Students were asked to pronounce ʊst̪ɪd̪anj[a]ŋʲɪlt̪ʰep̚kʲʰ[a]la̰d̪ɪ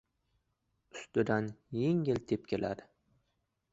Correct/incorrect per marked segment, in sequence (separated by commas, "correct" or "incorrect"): incorrect, incorrect